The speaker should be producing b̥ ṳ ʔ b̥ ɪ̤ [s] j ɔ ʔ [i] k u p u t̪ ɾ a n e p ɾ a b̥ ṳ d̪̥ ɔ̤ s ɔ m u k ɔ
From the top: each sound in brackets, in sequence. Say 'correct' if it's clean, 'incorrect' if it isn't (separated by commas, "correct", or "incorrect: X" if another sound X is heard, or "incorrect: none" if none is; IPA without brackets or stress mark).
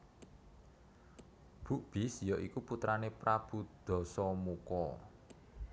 correct, correct